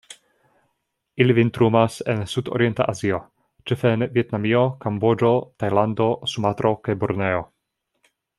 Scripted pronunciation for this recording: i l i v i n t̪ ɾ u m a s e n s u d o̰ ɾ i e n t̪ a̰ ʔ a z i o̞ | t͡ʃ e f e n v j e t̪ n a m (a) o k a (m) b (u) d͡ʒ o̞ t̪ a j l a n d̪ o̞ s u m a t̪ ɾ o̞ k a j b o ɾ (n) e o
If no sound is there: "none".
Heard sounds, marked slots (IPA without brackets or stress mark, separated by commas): i, m, o, n